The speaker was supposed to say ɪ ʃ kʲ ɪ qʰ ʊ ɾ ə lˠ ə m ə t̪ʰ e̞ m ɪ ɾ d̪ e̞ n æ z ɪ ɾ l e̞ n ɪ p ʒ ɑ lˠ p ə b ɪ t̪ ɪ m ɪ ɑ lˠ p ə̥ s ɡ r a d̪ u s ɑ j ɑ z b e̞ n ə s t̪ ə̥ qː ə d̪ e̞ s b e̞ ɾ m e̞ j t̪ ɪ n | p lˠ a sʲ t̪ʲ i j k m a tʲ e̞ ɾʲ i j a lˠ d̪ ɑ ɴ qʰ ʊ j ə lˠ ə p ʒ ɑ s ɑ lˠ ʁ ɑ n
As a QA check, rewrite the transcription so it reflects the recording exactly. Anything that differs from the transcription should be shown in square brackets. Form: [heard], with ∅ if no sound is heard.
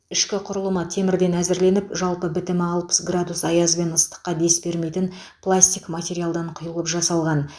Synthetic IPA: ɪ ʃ kʲ ɪ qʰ ʊ ɾ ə lˠ ə m ə t̪ʰ e̞ m ɪ ɾ d̪ e̞ n æ z ɪ ɾ l e̞ n ɪ p ʒ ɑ lˠ p ə b ɪ t̪ ɪ m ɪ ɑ lˠ p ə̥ s ɡ r a d̪ u s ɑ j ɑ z b e̞ n ə s t̪ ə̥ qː [ɑ] d̪ e̞ s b e̞ ɾ m e̞ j t̪ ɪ n | p lˠ a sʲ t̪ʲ i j k m a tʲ e̞ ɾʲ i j a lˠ d̪ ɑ ɴ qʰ ʊ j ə lˠ ə p ʒ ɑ s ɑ lˠ ʁ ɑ n